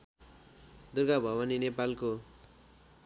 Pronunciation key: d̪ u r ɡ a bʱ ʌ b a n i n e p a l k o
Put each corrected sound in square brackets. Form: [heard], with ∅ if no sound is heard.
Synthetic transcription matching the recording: d̪ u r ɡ a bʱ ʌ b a n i n e p a l k o